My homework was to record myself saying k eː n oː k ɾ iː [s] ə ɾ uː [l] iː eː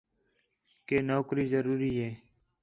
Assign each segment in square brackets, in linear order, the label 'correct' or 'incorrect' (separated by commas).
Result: incorrect, incorrect